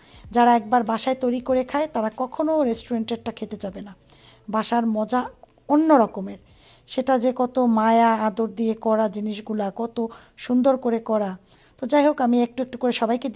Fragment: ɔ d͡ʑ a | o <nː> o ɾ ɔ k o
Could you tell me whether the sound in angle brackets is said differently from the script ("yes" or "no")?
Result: no